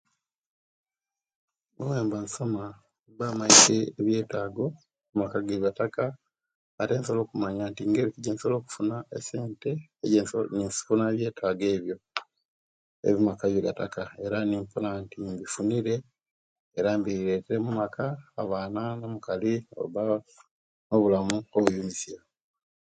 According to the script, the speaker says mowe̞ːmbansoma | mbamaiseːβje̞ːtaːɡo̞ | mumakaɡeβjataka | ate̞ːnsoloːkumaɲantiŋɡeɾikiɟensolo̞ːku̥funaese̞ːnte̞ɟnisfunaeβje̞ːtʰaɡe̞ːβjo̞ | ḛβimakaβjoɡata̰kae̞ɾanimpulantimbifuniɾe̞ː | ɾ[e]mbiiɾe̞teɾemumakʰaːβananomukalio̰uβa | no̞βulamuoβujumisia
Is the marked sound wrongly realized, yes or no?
yes